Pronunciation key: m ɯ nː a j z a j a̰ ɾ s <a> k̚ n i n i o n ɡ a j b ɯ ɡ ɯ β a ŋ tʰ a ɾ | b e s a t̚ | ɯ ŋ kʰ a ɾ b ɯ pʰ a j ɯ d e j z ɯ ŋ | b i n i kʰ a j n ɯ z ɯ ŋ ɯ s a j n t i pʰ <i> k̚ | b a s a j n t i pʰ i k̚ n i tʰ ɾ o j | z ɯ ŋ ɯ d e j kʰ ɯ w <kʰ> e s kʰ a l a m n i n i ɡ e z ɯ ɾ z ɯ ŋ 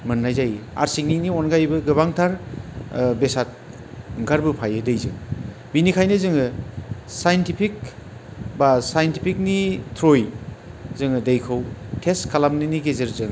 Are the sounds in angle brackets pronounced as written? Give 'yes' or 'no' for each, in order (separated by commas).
no, yes, no